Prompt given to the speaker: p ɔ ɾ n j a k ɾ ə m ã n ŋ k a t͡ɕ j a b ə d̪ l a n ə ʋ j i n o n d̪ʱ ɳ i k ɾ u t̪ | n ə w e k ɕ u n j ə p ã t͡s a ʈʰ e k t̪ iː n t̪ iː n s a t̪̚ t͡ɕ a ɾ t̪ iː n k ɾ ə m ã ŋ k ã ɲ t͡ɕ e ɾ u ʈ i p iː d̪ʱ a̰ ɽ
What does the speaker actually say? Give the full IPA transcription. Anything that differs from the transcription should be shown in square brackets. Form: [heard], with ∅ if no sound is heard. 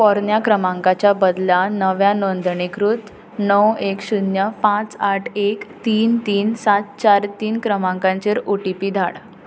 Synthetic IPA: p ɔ ɾ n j a k ɾ ə m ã [∅] ŋ k a t͡ɕ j a b ə d̪ l a n ə ʋ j [a] n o n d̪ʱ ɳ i k ɾ u t̪ | n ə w e k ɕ u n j ə p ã t͡s a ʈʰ e k t̪ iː n t̪ iː n s a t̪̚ t͡ɕ a ɾ t̪ iː n k ɾ ə m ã ŋ k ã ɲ t͡ɕ e ɾ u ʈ i p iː d̪ʱ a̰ ɽ